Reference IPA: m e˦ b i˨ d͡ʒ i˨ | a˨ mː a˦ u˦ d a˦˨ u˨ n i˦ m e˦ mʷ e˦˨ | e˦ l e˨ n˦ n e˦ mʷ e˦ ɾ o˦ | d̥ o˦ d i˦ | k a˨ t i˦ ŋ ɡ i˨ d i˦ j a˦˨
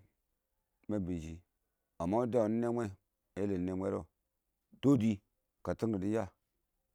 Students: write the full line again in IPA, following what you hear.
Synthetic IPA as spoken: m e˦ b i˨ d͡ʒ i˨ | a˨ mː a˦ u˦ d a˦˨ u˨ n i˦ n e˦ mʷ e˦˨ | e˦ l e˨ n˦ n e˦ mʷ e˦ ɾ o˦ | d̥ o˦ d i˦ | k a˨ t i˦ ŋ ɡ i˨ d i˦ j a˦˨